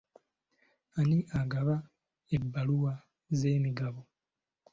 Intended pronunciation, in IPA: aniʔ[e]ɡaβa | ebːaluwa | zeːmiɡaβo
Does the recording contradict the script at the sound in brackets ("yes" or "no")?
yes